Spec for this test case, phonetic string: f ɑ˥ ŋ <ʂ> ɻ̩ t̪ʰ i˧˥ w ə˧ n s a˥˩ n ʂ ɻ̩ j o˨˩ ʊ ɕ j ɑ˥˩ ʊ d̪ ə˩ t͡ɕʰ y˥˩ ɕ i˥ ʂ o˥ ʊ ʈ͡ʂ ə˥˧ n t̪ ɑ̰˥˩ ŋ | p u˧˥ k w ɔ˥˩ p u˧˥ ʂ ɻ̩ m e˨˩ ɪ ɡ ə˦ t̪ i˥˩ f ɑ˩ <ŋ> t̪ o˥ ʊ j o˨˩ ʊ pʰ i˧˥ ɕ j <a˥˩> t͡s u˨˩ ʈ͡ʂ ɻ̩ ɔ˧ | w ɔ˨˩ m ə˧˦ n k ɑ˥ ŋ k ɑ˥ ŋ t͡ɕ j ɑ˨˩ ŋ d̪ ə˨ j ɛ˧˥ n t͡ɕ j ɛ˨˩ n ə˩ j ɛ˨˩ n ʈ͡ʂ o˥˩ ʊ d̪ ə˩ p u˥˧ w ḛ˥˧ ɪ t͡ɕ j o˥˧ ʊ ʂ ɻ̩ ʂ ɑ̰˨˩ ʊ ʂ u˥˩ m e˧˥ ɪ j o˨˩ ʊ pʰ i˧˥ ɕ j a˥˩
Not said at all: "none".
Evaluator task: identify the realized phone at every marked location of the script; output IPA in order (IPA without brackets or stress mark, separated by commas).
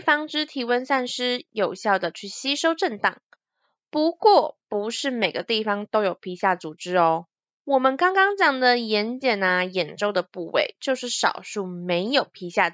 ʈ͡ʂ, ŋ, a˥˩